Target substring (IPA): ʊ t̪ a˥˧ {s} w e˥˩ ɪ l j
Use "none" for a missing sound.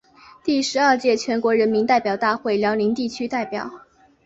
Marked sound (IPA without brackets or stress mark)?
x